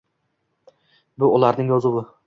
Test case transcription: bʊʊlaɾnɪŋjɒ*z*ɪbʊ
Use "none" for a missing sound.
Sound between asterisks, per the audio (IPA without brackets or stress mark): z